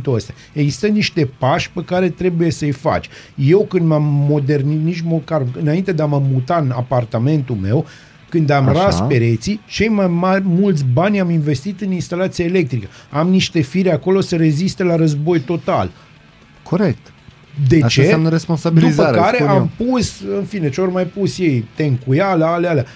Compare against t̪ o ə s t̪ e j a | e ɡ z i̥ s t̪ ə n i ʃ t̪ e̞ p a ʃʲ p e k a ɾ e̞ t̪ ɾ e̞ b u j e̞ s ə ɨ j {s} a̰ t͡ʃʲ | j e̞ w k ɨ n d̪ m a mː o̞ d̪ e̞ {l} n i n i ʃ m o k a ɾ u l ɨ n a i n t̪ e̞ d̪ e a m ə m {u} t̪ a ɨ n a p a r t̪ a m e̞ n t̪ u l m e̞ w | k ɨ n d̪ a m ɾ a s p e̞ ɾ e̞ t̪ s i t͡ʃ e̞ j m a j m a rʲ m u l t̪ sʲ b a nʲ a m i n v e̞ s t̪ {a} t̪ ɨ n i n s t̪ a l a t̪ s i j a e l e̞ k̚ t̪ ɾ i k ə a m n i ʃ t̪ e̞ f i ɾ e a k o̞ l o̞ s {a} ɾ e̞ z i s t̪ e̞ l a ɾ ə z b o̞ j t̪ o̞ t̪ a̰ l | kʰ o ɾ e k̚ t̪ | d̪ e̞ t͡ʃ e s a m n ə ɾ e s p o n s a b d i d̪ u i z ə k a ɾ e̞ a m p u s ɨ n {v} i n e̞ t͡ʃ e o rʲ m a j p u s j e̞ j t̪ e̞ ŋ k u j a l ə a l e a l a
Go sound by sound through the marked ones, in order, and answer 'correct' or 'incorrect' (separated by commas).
incorrect, incorrect, correct, incorrect, incorrect, incorrect